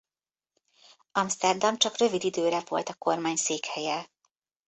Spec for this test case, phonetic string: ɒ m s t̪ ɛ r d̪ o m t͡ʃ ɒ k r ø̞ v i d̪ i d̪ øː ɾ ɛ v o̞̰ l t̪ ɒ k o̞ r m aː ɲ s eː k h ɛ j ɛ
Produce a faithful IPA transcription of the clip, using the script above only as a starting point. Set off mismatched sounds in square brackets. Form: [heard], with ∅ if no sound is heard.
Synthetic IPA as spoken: ɒ m s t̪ ɛ r d̪ [ɒ] m t͡ʃ ɒ k r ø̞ v i d̪ i d̪ øː ɾ ɛ v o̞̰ l t̪ ɒ k o̞ r m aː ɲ s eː k h ɛ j ɛ